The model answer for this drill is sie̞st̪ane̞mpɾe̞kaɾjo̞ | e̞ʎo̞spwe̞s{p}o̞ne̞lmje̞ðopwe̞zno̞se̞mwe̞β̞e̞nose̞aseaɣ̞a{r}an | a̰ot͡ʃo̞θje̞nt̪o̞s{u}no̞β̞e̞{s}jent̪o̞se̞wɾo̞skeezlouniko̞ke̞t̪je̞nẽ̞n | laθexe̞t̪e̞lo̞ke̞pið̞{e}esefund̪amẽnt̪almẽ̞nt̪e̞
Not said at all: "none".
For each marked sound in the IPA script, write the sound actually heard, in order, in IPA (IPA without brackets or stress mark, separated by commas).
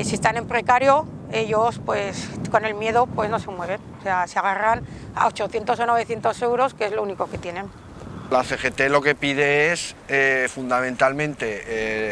k, r, o, θ, e